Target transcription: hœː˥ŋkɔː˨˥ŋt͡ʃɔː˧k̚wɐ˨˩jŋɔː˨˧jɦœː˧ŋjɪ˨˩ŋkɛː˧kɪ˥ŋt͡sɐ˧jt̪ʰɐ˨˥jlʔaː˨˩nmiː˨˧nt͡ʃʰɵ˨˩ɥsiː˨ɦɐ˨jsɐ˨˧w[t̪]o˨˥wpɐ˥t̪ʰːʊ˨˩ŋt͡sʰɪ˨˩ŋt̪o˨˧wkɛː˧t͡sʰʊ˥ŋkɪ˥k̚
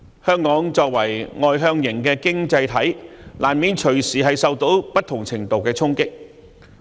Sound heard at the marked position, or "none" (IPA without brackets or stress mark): t̪